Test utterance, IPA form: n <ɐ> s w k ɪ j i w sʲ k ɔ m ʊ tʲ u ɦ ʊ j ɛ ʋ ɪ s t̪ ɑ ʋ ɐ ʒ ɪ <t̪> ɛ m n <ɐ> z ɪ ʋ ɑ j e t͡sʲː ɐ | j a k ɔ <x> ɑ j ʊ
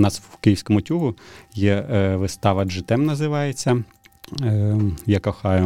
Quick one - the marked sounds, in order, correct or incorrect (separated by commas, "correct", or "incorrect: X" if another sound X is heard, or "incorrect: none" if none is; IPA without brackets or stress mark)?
incorrect: ɑ, correct, correct, correct